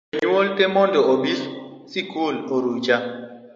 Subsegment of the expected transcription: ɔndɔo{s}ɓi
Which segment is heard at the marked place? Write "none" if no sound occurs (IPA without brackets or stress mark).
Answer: none